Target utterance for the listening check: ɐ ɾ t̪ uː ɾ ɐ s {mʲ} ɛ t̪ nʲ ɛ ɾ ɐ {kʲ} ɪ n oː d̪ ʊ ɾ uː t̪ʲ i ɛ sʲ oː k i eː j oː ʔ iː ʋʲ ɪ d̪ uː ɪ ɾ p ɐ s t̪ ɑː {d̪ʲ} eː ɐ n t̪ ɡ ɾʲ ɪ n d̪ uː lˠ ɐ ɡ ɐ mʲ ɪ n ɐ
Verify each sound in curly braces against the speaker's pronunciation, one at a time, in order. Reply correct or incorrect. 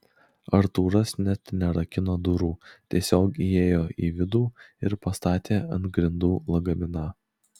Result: incorrect: nʲ, correct, incorrect: t̪ʲ

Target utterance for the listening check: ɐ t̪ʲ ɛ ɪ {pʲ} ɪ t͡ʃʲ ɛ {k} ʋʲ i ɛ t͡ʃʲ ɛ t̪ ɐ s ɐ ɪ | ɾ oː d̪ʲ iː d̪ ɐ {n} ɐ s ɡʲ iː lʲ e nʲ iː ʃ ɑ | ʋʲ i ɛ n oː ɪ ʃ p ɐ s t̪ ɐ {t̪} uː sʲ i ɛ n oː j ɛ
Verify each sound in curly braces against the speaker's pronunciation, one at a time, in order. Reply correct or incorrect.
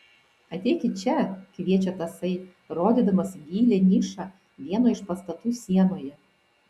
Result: incorrect: kʲ, correct, incorrect: m, correct

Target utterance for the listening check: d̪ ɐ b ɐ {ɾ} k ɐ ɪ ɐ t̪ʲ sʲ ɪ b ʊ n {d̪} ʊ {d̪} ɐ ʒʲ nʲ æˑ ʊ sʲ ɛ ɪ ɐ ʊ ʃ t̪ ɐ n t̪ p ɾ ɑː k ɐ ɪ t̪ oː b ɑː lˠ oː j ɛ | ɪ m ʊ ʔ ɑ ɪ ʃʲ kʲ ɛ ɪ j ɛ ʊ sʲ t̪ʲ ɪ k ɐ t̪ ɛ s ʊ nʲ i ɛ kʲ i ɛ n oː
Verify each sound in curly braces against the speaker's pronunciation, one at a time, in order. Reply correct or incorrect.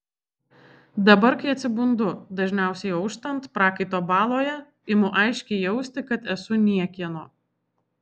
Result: correct, correct, correct

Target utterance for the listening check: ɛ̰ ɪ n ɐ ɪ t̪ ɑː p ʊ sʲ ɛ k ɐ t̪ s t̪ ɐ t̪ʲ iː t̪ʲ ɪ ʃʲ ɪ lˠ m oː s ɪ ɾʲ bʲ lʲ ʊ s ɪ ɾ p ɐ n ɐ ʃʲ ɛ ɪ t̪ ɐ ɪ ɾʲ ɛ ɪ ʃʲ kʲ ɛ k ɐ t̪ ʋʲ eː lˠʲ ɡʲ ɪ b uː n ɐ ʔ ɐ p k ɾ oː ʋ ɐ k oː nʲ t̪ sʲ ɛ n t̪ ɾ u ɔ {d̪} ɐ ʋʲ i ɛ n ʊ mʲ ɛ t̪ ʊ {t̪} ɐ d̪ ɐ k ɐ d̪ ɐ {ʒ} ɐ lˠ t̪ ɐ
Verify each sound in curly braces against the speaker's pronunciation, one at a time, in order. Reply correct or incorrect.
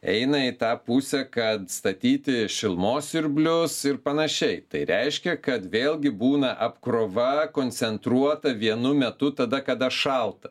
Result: incorrect: t̪, correct, incorrect: ʃ

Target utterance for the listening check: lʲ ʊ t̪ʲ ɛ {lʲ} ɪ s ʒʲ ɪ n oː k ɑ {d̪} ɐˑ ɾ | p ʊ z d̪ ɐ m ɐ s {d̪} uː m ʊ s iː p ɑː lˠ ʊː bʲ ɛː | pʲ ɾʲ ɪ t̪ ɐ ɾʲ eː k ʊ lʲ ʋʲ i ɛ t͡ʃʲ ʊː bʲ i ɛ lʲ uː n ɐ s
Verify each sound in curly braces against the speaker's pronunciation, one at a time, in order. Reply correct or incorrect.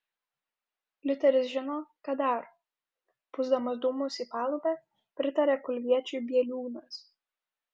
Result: incorrect: ɾʲ, correct, correct

